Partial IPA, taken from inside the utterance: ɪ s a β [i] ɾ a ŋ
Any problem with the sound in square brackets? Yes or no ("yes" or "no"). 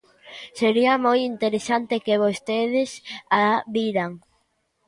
no